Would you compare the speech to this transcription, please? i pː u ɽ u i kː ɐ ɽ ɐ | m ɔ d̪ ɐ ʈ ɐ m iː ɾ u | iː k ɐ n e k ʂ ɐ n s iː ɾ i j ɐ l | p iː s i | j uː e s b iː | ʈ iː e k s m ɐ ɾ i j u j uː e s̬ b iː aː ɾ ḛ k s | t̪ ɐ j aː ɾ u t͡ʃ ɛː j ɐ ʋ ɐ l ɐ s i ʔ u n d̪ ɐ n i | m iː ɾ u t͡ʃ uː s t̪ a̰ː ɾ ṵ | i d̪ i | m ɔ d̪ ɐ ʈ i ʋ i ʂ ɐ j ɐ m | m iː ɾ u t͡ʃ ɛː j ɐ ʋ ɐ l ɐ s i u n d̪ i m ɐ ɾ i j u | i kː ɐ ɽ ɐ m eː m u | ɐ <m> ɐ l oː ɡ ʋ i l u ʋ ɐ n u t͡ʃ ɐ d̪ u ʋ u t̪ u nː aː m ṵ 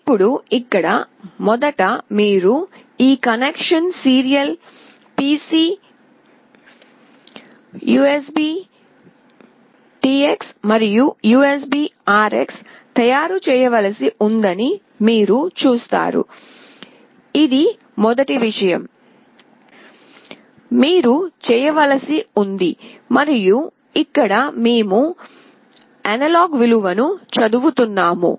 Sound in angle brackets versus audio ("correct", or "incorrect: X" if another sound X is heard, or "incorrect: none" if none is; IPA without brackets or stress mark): incorrect: n